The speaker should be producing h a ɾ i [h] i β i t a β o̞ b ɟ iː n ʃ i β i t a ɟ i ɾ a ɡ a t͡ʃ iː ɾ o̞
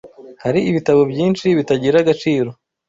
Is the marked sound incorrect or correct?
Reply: incorrect